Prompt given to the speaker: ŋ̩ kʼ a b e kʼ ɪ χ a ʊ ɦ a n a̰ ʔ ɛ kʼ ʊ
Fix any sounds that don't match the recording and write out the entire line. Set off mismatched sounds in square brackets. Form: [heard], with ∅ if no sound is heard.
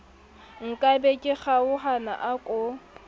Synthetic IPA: ŋ̩ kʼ a b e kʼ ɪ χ a ʊ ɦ a n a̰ ʔ [a] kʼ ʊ